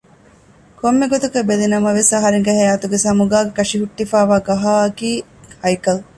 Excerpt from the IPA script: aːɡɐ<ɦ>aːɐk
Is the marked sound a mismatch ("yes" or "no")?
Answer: no